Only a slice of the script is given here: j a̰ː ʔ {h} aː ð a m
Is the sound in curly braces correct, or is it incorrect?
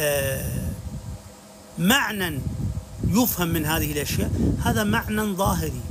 correct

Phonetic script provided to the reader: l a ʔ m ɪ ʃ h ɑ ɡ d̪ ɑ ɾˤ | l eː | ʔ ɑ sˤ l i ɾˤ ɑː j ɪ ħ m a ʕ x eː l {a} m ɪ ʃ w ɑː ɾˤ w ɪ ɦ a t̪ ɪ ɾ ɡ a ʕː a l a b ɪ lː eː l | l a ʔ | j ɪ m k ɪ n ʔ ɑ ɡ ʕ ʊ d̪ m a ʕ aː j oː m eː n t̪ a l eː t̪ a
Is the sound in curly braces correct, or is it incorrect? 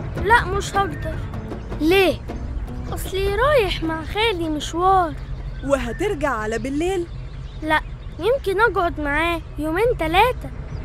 incorrect: i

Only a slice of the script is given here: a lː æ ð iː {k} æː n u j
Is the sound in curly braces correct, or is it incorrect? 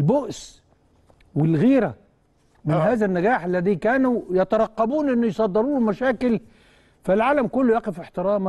correct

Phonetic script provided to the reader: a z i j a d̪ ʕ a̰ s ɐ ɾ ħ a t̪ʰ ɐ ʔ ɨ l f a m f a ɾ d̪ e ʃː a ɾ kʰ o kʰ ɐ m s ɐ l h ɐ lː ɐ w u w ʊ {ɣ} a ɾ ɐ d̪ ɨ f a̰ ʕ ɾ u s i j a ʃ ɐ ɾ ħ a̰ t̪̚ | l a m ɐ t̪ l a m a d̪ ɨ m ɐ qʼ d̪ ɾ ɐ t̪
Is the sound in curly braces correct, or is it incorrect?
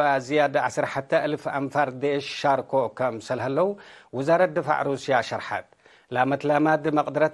incorrect: z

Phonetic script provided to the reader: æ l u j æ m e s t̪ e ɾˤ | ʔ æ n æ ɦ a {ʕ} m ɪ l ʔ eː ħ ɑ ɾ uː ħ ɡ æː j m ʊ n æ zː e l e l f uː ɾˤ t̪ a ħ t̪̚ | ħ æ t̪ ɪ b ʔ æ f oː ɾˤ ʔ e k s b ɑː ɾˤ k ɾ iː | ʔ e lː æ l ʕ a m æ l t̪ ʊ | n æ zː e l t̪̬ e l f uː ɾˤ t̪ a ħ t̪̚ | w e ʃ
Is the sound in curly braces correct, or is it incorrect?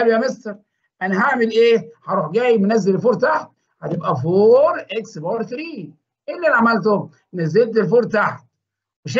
correct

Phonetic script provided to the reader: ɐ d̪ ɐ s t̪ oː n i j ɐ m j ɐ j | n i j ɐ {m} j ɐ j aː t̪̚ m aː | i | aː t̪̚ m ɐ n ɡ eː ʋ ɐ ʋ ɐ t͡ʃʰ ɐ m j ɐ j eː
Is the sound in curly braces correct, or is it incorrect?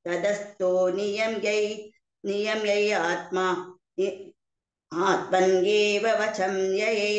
correct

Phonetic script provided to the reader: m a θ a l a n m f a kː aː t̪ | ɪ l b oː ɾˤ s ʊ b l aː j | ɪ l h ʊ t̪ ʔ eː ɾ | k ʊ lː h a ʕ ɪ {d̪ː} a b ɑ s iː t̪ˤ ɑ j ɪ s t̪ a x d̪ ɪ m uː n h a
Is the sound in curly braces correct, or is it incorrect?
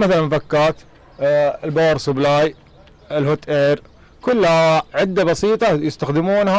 correct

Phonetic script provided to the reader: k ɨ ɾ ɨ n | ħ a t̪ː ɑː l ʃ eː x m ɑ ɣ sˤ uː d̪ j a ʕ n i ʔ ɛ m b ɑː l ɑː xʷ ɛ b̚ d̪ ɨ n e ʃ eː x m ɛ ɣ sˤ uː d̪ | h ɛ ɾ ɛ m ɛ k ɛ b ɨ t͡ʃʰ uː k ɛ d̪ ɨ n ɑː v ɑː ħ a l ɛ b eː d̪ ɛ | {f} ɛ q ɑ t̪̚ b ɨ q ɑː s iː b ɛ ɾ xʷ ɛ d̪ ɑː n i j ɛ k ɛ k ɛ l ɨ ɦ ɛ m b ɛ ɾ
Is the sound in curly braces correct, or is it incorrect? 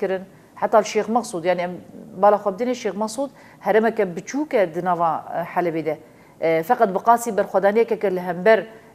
correct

